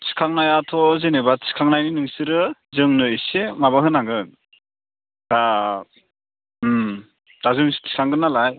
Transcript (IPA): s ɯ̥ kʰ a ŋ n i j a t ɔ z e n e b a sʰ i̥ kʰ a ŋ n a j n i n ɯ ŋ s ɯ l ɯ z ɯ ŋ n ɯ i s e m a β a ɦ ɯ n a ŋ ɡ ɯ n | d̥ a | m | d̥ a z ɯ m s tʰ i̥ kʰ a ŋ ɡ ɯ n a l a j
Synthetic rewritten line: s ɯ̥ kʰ a ŋ n a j a tʰ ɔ z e n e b a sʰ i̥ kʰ a ŋ n a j n i n ɯ ŋ s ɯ ɾ ɯ z ɯ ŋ n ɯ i s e m a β a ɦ ɯ n a ŋ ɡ ɯ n | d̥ a | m | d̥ a z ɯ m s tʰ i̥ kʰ a ŋ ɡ ɯ n a l a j

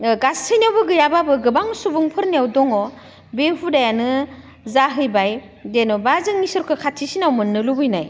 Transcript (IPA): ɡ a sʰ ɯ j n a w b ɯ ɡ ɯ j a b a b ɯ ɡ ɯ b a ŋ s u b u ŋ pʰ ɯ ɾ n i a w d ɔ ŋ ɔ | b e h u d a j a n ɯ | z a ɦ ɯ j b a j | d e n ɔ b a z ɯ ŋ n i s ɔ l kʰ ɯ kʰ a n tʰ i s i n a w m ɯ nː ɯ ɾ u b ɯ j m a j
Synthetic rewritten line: ɡ a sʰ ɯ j n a w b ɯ ɡ ɯ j a b a b ɯ ɡ ɯ b a ŋ s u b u ŋ pʰ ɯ ɾ n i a w d ɔ ŋ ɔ | b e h u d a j a n ɯ | z a ɦ ɯ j b a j | d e n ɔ b a z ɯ ŋ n i s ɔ ɾ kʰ ɯ kʰ a tʰ i s i n a w m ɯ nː ɯ l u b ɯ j n a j

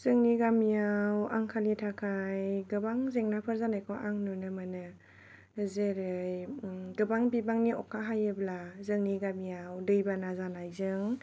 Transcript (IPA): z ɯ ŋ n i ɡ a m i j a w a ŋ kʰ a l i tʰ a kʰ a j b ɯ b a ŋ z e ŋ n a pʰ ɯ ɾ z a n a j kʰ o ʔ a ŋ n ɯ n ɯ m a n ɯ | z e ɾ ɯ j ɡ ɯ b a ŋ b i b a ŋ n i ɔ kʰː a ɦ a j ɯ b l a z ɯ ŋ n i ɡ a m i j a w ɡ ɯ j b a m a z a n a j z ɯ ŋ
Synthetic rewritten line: z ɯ ŋ n i ɡ a m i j a w a ŋ kʰ a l i tʰ a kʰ a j ɡ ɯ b a ŋ z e ŋ n a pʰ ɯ ɾ z a n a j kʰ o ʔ a ŋ n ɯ n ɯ m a n ɯ | z e ɾ ɯ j ɡ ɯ b a ŋ b i b a ŋ n i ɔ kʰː a ɦ a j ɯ b l a z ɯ ŋ n i ɡ a m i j a w d ɯ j b a n a z a n a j z ɯ ŋ

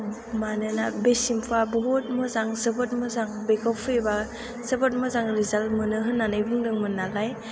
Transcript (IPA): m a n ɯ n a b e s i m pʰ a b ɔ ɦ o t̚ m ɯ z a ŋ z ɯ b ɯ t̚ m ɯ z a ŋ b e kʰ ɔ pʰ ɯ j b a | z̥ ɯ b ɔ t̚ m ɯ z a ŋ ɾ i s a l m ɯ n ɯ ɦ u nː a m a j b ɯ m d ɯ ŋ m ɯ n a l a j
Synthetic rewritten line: m a n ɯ n a b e s i m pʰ a b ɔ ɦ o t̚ m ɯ z a ŋ z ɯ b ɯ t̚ m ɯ z a ŋ b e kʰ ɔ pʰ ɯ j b a | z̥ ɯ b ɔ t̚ m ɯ z a ŋ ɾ i z a l m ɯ n ɯ ɦ ɯ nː a n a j b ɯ ŋ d ɯ ŋ m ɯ n a l a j

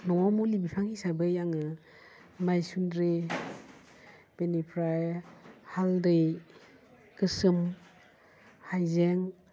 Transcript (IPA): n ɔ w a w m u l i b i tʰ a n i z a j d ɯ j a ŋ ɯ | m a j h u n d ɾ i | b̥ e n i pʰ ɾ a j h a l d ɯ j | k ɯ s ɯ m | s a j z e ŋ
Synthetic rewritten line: n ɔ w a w m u l i b i pʰ a ŋ i s a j b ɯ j a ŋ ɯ | m a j s u n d ɾ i | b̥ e n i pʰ ɾ a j h a l d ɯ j | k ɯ s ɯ m | h a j z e ŋ

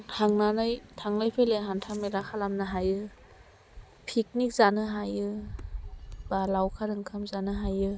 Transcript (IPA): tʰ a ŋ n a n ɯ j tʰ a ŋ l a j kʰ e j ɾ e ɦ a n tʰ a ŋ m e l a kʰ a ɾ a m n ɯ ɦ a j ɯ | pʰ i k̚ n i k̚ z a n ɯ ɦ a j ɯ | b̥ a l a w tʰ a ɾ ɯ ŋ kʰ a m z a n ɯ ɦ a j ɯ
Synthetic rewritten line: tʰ a ŋ n a n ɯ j tʰ a ŋ l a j pʰ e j l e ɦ a n tʰ a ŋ m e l a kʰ a l a m n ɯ ɦ a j ɯ | pʰ i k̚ n i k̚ z a n ɯ ɦ a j ɯ | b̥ a l a w kʰ a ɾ ɯ ŋ kʰ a m z a n ɯ ɦ a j ɯ

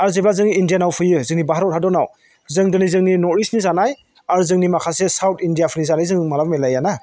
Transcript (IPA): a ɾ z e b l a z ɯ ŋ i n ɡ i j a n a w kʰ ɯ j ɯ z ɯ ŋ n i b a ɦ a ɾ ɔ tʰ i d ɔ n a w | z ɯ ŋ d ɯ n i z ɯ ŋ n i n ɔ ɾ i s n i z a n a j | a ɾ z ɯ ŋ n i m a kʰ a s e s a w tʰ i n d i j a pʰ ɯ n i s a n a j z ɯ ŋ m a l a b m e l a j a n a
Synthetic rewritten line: a ɾ z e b l a z ɯ ŋ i n d i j a n a w pʰ ɯ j ɯ z ɯ ŋ n i b a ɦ a ɾ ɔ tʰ a d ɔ n a w | z ɯ ŋ d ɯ n i z ɯ ŋ n i n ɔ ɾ i s n i z a n a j | a ɾ z ɯ ŋ n i m a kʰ a s e s a w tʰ i n d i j a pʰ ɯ n i z a n a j z ɯ ŋ m a l a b m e l a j a n a

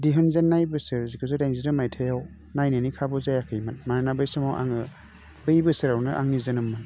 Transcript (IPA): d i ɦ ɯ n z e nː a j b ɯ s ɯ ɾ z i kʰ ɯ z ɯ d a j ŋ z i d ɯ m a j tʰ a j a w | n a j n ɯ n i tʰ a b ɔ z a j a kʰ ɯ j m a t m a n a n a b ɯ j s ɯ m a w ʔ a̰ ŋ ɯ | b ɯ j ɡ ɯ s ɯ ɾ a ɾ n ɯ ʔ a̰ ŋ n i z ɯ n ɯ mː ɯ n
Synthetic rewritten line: d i ɦ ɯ n z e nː a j b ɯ s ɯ ɾ z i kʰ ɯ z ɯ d a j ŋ z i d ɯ m a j tʰ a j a w | n a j n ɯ n i kʰ a b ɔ z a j a kʰ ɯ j m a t m a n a n a b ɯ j s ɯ m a w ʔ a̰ ŋ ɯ | b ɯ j b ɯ s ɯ ɾ a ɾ n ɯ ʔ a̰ ŋ n i z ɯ n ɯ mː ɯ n

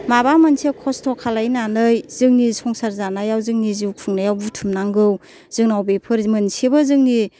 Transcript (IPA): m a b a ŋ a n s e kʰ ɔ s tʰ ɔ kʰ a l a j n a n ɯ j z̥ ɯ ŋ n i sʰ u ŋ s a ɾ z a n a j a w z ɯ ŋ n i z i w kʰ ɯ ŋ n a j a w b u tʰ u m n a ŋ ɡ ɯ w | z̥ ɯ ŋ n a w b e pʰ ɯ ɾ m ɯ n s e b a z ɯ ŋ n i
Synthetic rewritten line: m a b a m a n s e kʰ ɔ s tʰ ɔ kʰ a l a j n a n ɯ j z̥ ɯ ŋ n i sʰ ɔ ŋ s a ɾ z a n a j a w z ɯ ŋ n i z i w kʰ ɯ ŋ n a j a w b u tʰ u m n a ŋ ɡ ɯ w | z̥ ɯ ŋ n a w b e pʰ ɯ ɾ m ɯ n s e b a z ɯ ŋ n i

